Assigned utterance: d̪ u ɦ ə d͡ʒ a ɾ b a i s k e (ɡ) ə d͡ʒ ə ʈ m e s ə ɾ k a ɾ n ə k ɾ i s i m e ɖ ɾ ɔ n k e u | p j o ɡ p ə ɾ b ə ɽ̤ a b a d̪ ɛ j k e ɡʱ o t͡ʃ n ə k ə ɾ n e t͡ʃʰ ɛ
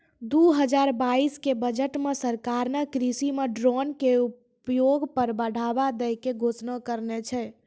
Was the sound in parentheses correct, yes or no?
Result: no